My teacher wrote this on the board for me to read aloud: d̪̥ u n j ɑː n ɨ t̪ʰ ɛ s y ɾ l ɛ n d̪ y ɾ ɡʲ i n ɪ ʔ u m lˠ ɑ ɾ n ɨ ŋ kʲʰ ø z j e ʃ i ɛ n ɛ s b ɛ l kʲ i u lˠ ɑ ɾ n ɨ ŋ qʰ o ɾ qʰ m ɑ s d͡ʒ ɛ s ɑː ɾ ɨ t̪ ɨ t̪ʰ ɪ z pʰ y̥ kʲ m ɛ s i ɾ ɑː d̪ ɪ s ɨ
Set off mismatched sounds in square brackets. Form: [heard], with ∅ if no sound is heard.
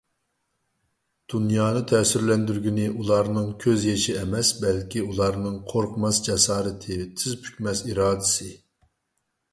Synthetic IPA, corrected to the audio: d̪̥ u n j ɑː n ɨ t̪ʰ ɛ s y ɾ l ɛ n d̪ y ɾ ɡʲ i n ɪ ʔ u [∅] lˠ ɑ ɾ n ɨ ŋ kʲʰ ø z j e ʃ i ɛ [m] ɛ s b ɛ l kʲ i u lˠ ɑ ɾ n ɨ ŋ qʰ o ɾ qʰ m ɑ s d͡ʒ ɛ s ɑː ɾ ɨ [t̪ʰ] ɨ t̪ʰ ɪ z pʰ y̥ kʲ m ɛ s i ɾ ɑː d̪ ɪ s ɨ